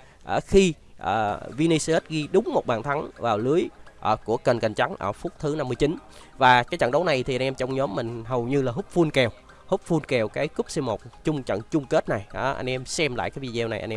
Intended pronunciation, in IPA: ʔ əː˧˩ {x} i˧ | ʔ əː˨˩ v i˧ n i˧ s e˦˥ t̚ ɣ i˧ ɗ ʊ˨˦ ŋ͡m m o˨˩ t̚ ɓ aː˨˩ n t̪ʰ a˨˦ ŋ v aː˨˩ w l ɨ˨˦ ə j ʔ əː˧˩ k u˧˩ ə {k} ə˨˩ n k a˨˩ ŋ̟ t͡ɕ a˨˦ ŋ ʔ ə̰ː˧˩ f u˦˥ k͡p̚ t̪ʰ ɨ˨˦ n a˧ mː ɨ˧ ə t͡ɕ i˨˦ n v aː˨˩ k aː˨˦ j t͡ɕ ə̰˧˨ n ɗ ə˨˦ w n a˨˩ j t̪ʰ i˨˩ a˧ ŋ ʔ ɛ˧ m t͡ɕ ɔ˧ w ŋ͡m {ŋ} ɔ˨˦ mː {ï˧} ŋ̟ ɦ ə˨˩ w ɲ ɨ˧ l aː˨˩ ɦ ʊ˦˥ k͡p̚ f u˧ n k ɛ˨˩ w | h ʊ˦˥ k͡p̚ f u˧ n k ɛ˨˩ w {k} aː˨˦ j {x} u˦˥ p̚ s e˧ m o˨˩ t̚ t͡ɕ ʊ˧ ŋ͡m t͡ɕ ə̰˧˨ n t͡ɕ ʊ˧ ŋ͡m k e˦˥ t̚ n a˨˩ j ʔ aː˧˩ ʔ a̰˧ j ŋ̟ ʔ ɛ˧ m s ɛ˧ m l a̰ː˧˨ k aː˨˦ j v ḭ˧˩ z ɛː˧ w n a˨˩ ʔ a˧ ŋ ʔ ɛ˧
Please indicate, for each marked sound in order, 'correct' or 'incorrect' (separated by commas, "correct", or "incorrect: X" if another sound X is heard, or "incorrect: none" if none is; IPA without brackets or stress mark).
correct, correct, incorrect: ɲ, incorrect: ï˨˩, correct, incorrect: k